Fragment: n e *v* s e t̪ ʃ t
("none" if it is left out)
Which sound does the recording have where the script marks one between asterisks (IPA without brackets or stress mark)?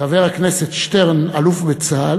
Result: none